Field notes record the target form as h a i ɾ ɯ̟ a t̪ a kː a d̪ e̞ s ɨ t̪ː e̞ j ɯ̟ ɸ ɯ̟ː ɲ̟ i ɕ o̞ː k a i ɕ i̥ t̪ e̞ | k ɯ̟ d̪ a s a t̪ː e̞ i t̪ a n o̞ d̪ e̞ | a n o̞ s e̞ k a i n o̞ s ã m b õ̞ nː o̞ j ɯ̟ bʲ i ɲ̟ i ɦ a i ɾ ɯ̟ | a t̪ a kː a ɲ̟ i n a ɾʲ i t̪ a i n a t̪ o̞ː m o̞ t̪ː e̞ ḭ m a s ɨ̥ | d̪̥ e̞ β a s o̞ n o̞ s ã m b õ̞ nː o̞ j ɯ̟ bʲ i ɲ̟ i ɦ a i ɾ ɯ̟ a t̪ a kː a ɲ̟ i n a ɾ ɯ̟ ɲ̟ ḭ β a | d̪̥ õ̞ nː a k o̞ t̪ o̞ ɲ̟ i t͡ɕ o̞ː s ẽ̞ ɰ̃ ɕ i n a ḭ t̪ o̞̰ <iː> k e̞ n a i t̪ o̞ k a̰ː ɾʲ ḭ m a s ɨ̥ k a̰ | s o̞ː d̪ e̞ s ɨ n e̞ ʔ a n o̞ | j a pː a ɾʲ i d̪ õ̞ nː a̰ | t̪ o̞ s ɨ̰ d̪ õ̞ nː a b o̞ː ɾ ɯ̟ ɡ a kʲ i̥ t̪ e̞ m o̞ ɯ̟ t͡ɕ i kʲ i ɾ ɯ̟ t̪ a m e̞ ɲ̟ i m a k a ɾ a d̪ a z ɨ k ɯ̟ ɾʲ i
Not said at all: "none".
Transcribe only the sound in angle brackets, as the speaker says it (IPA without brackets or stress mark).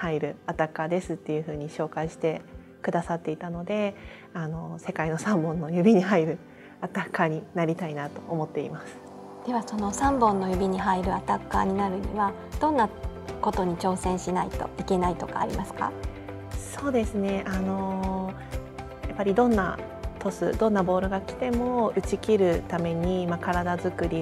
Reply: i